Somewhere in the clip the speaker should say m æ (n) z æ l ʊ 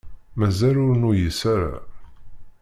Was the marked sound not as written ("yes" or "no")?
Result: yes